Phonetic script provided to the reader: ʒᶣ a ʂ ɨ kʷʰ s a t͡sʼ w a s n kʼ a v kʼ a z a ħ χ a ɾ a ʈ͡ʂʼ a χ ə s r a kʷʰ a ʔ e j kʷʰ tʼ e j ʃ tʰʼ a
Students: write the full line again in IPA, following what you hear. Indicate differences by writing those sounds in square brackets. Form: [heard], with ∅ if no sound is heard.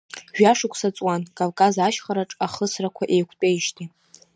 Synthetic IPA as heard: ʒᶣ a ʂ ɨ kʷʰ s a t͡sʼ w a [∅] n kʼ a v kʼ a z a [ʃ] χ a ɾ a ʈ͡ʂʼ a χ ə s r a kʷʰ a ʔ e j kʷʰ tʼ e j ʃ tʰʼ [i]